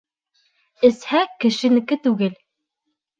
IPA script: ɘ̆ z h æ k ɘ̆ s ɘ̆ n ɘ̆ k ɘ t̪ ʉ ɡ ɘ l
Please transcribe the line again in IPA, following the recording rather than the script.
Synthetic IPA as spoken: ɘ̆ s h æ k ɘ̆ ʃ ɘ̆ n ɘ̆ k ɘ t̪ ʉ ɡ ɘ l